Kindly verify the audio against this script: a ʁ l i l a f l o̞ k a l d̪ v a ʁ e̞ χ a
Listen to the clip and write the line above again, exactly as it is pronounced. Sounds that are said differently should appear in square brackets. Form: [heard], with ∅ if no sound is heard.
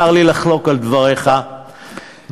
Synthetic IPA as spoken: a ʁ l i l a [χ] l o̞ k a l d̪ v a ʁ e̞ χ a